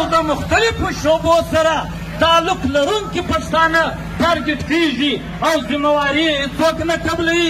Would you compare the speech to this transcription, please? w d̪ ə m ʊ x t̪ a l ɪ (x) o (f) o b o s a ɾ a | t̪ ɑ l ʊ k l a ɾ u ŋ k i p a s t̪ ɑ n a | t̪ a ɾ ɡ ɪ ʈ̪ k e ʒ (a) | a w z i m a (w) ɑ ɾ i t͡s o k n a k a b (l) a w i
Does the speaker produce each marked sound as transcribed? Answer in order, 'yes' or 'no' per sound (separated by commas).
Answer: no, no, no, yes, yes